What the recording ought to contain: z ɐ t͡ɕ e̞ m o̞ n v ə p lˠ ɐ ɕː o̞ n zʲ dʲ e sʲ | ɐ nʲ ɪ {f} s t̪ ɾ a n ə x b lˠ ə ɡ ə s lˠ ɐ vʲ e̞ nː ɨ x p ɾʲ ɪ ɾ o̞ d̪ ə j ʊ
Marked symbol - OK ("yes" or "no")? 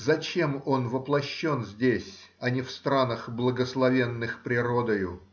yes